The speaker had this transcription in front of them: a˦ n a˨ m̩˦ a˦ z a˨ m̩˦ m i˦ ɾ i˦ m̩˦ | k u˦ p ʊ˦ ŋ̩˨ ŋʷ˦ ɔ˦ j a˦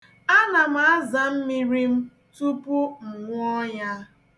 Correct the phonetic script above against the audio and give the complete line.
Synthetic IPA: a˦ n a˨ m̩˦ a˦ z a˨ m̩˦ m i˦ ɾ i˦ m̩˦ | t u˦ p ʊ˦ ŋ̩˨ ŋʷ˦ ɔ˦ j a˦